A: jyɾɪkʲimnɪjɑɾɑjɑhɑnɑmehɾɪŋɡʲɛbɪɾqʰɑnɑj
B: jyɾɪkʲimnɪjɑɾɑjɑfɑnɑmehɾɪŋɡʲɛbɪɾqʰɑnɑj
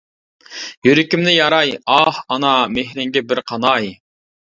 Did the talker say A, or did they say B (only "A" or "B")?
A